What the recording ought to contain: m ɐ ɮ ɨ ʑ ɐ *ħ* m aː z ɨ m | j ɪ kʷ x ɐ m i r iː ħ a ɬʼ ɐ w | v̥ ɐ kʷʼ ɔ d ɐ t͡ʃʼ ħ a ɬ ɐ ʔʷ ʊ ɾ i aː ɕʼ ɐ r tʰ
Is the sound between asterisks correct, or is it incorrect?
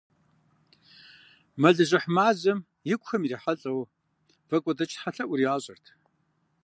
correct